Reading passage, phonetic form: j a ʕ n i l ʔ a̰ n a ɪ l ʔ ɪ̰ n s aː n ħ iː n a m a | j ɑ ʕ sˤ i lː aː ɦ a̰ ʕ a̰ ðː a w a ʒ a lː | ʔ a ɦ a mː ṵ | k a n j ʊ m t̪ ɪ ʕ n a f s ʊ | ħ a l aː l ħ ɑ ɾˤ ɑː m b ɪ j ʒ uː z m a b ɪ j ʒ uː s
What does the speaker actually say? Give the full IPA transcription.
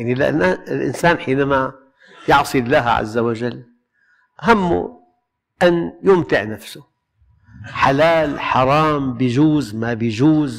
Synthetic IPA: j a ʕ n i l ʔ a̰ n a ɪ l ʔ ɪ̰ n s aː n ħ iː n a m a | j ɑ ʕ sˤ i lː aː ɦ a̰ ʕ a̰ zː a w a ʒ a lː | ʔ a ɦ a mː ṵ | ʔ a n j ʊ m t̪ ɪ ʕ n a f s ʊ | ħ a l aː l ħ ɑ ɾˤ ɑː m b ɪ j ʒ uː z m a b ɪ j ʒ uː z